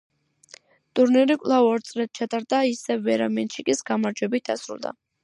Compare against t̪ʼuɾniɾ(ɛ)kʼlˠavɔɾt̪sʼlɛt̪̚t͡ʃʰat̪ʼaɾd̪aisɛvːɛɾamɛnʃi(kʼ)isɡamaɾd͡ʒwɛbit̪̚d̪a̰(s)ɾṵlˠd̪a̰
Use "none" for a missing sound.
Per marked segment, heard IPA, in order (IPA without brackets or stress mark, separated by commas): i, kʼ, s